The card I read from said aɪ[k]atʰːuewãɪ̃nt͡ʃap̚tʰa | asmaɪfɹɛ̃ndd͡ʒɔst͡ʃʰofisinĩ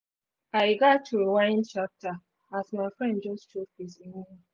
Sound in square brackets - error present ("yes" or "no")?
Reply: yes